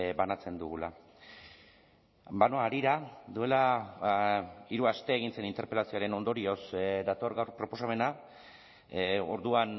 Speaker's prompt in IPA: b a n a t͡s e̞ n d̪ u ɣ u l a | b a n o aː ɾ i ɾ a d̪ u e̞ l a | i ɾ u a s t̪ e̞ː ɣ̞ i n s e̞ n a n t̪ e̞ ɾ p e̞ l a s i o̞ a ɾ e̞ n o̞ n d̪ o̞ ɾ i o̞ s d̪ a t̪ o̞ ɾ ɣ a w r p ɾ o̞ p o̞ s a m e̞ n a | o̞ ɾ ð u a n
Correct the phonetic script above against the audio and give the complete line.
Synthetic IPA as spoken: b a n a t͡s e̞ n d̪ u ɣ u l a | b a n o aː ɾ i ɾ a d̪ u e̞ l a | i ɾ u a s t̪ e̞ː ɣ̞ i n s e̞ n i n t̪ e̞ ɾ p e̞ l a s i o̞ a ɾ e̞ n o̞ n d̪ o̞ ɾ i o̞ s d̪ a t̪ o̞ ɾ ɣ a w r p ɾ o̞ p o̞ s a m e̞ n a | o̞ ɾ ð u a n